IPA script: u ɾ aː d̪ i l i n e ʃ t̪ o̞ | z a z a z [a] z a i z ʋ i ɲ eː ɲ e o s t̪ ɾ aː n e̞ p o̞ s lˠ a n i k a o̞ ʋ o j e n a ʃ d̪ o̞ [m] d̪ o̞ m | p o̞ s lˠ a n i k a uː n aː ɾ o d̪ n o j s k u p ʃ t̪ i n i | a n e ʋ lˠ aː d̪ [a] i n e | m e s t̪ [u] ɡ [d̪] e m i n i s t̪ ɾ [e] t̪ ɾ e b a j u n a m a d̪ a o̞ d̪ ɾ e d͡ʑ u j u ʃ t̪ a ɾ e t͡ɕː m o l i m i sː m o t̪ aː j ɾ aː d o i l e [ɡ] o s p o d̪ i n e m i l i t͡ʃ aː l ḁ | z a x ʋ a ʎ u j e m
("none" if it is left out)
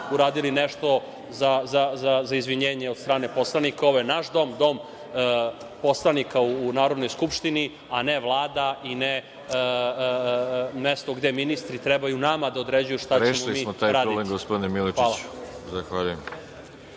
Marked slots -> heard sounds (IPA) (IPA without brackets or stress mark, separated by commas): a, m, a, o, d̪, i, ɡ